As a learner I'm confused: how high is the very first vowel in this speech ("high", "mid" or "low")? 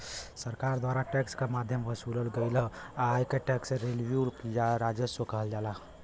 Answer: mid